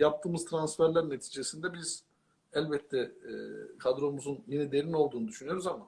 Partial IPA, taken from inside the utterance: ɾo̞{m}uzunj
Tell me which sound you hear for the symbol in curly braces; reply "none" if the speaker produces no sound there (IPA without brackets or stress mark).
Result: m